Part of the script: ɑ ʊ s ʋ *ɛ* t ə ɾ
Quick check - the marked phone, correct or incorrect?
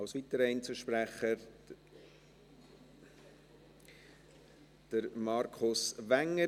incorrect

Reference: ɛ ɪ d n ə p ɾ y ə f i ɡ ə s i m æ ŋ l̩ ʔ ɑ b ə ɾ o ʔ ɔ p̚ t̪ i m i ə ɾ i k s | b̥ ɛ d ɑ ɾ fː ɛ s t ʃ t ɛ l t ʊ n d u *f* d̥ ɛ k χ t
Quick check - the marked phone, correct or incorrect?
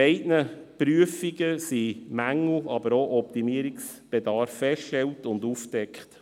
correct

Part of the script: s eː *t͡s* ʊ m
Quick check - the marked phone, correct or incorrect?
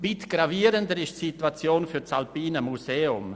incorrect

